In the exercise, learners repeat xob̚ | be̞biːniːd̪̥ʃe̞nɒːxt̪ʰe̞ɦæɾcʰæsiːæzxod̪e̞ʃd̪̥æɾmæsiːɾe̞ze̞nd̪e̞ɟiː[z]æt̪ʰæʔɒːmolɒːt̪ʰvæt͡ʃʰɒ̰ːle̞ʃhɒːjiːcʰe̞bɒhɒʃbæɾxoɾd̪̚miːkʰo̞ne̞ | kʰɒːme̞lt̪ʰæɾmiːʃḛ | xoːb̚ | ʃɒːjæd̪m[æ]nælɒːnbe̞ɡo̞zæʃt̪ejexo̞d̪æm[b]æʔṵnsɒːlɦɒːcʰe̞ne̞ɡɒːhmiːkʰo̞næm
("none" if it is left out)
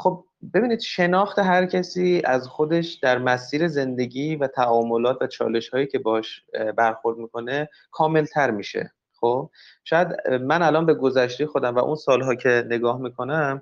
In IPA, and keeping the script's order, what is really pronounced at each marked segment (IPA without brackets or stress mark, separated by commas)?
v, æ, v